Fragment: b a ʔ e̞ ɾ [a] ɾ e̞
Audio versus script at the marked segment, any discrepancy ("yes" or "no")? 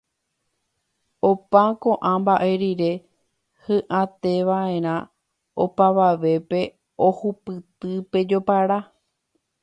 yes